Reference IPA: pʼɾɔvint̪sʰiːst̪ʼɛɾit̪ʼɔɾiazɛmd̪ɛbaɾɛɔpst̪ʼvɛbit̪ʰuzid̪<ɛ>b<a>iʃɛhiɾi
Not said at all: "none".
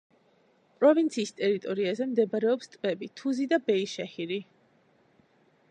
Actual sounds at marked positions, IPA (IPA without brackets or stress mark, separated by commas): a, ɛ